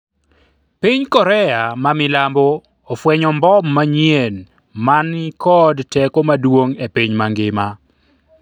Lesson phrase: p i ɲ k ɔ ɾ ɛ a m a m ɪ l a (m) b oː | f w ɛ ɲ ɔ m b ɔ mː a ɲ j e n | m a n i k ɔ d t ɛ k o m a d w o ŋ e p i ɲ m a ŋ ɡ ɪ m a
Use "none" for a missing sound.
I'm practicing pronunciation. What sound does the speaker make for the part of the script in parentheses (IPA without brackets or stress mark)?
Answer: m